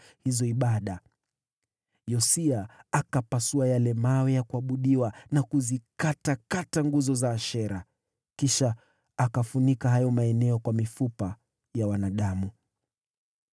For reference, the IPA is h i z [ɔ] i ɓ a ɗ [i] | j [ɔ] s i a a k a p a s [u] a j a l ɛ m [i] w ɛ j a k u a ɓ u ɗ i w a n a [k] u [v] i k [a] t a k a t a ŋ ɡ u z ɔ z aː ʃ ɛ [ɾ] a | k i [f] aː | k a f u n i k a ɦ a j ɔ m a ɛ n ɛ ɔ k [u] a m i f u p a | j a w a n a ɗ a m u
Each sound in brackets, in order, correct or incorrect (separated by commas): correct, incorrect, correct, correct, incorrect, correct, incorrect, correct, correct, incorrect, incorrect